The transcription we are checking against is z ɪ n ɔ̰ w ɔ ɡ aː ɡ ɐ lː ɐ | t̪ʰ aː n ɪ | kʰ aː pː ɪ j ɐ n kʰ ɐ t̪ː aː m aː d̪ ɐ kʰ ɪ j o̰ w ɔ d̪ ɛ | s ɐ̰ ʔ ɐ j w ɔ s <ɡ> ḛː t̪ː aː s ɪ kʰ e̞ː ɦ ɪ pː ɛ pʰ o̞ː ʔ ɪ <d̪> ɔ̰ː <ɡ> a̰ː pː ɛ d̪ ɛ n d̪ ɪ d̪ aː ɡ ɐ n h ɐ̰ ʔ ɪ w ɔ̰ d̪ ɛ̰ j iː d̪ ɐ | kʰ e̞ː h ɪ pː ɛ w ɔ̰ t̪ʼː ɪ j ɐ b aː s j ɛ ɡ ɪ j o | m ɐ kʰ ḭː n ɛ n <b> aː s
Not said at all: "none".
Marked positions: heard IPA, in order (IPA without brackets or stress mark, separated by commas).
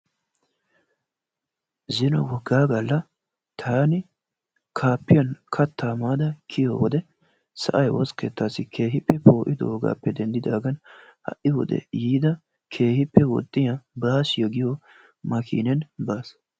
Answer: k, d̪, ɡ, b